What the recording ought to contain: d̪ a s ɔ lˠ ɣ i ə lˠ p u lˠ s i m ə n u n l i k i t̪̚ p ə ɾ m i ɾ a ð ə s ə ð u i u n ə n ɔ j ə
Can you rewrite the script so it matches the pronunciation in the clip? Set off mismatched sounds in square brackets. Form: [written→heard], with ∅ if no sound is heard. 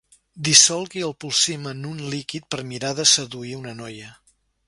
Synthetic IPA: d̪ [a→i] s ɔ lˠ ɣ i ə lˠ p u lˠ s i m ə n u n l i k i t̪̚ p ə ɾ m i ɾ a ð ə s ə ð u i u n ə n ɔ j ə

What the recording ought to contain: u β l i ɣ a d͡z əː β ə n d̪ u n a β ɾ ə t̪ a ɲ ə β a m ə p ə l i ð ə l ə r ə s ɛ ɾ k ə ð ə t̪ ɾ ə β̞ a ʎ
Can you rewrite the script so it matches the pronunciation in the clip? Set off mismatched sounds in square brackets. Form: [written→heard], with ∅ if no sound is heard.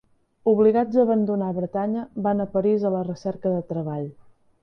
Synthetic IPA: u β l i ɣ a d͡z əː β ə n d̪ u n a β ɾ ə t̪ a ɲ ə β a [m→n] ə p ə [l→ɾ] i [ð→z] ə l ə r ə s ɛ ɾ k ə ð ə t̪ ɾ ə β̞ a ʎ

